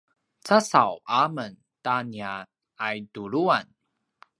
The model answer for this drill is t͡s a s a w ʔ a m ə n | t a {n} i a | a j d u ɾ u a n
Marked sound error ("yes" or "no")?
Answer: no